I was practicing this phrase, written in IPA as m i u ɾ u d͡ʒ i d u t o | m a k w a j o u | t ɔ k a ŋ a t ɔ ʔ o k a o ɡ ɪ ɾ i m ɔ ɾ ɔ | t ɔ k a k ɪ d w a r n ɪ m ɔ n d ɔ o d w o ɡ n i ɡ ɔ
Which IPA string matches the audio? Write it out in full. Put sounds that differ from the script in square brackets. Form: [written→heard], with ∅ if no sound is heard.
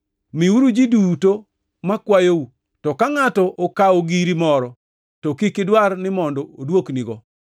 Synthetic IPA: m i u ɾ u d͡ʒ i d u t o | m a k w a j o u | t ɔ k a ŋ a t ɔ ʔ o k a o ɡ [ɪ→i] ɾ i m ɔ ɾ ɔ | t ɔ k [a→i] k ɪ d w a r n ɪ m ɔ n d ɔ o d w o [ɡ→k] n i ɡ ɔ